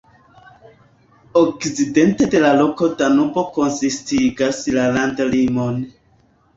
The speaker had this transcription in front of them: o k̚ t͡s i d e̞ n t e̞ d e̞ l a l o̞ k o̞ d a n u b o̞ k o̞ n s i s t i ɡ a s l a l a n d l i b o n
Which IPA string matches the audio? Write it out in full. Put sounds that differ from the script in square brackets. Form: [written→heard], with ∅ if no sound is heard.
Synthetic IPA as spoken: o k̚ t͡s i d e̞ n t e̞ d e̞ l a l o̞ k o̞ d a n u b o̞ k o̞ n s i s t i ɡ a s l a l a n d l i [b→m] o n